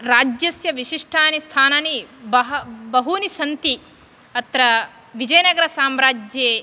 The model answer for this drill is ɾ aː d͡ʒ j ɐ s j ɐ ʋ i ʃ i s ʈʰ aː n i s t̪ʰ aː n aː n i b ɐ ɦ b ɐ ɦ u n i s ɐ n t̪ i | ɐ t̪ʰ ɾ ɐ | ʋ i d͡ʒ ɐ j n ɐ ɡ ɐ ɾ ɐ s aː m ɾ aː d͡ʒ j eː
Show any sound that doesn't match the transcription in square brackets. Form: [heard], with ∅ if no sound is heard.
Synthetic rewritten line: ɾ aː d͡ʒ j ɐ s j ɐ ʋ i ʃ i [ʂ] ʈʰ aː n i s t̪ʰ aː n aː n i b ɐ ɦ b ɐ ɦ u n i s ɐ n t̪ i | ɐ [t̪] ɾ ɐ | ʋ i d͡ʒ ɐ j n ɐ ɡ ɐ ɾ ɐ s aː m ɾ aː d͡ʒ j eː

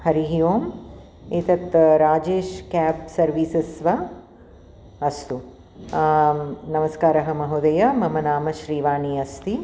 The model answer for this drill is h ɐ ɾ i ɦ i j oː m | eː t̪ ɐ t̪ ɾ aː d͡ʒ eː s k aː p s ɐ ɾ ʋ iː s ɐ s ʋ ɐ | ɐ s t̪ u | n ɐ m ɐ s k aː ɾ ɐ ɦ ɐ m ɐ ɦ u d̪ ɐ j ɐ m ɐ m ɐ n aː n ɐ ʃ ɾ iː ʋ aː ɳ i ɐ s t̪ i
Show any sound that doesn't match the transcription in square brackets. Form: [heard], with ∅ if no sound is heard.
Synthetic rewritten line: h ɐ ɾ i ɦ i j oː m | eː t̪ ɐ t̪ ɾ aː d͡ʒ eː [ʃ] k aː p s ɐ ɾ ʋ iː s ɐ s ʋ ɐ | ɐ s t̪ u | n ɐ m ɐ s k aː ɾ ɐ ɦ ɐ m ɐ ɦ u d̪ ɐ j ɐ m ɐ m ɐ n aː [m] ɐ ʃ ɾ iː ʋ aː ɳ i ɐ s t̪ i

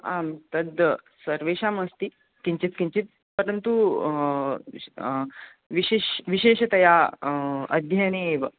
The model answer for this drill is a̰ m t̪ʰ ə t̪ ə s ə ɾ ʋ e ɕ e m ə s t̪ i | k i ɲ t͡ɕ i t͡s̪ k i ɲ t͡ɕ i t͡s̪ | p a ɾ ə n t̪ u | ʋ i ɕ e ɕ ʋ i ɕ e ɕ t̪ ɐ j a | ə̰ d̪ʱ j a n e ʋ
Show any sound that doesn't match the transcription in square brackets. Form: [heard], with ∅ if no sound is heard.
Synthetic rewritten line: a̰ m [t̪] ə [d̪] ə s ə ɾ ʋ e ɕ [a] m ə s t̪ i | k i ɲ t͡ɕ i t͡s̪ k i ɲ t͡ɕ i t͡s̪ | p [ə] ɾ ə n t̪ u | ʋ i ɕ e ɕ ʋ i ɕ e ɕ t̪ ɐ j a | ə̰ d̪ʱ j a n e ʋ

